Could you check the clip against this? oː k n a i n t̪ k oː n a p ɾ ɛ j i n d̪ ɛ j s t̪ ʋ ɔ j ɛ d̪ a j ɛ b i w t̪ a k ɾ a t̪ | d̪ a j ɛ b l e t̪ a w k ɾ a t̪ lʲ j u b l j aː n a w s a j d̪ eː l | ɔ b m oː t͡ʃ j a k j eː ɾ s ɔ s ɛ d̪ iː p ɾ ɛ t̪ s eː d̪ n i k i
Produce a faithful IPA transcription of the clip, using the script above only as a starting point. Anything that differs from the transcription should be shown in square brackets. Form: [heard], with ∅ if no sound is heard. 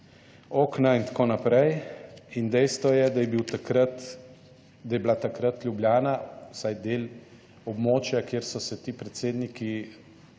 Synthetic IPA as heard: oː k n a i n t̪ k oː n a p ɾ ɛ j i n d̪ ɛ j s t̪ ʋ ɔ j ɛ d̪ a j ɛ b i w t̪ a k ɾ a t̪ | d̪ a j ɛ b l [a] t̪ a [∅] k ɾ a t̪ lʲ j u b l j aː n a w s a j d̪ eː l | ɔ b m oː t͡ʃ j a k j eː ɾ s ɔ s ɛ [t̪] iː p ɾ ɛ t̪ s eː d̪ n i k i